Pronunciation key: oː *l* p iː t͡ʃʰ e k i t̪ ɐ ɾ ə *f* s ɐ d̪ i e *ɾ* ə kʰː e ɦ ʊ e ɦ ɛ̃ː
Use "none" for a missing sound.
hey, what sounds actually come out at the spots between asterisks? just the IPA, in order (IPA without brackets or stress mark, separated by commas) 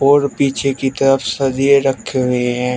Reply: ɾ, f, ɾ